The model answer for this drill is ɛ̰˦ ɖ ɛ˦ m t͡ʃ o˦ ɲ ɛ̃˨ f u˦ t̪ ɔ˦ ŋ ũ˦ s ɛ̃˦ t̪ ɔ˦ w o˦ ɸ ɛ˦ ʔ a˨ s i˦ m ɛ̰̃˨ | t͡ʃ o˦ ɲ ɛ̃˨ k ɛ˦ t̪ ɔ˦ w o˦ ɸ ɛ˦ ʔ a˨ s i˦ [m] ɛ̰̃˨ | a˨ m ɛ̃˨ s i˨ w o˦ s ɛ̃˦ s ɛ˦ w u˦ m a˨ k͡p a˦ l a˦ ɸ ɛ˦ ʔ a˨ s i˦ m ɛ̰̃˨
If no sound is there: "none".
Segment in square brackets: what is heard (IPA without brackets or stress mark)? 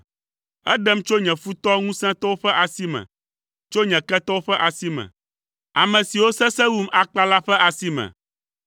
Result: m